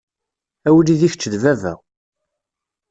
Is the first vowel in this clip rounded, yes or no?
no